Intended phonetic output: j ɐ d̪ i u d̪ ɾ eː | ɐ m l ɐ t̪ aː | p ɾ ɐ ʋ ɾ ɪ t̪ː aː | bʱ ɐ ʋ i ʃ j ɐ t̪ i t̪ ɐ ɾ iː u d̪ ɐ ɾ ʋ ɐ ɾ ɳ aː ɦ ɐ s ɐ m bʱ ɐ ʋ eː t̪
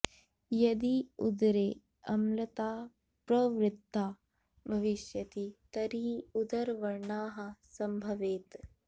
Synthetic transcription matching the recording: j ɐ d̪ i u d̪ ɾ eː | ɐ m l ɐ t̪ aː | p ɾ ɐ ʋ ɾ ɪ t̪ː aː | bʱ ɐ ʋ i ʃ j ɐ t̪ i t̪ ɐ ɾ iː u d̪ ɐ ɾ ʋ ɐ ɾ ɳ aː ɦ ɐ s ɐ m bʱ ɐ ʋ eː t̪

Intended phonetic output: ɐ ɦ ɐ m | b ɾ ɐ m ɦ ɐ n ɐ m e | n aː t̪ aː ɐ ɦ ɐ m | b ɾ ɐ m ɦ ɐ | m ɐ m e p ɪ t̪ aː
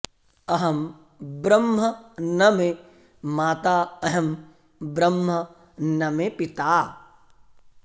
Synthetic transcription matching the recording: ɐ ɦ ɐ m | b ɾ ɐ m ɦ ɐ n ɐ m e | m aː t̪ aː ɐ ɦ ɐ m | b ɾ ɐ m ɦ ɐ | n ɐ m e p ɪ t̪ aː

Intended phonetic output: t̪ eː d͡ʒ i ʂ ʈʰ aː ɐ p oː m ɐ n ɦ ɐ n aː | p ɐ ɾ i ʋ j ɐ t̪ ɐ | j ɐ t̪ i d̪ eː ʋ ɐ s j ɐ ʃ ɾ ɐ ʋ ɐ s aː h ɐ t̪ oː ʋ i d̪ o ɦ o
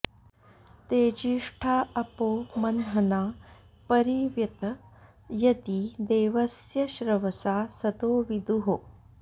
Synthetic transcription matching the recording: t̪ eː d͡ʒ i ʂ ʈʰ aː ɐ p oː m ɐ n ɦ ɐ n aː | p ɐ ɾ i ʋ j ɐ t̪ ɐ | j ɐ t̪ i d̪ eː ʋ ɐ s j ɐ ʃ ɾ ɐ ʋ ɐ s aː s ɐ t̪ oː ʋ i d̪ u ɦ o

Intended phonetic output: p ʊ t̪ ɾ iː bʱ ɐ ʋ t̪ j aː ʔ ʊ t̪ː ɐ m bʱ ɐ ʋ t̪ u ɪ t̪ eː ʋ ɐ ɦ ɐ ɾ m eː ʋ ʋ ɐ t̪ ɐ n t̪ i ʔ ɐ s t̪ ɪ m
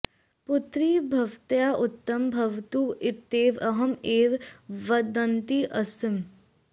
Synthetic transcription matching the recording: p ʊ t̪ ɾ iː bʱ ɐ ʋ t̪ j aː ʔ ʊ t̪ː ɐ m bʱ ɐ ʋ t̪ u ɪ t̪ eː ʋ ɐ ɦ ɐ m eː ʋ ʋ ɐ d̪ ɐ n t̪ i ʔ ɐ s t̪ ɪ m

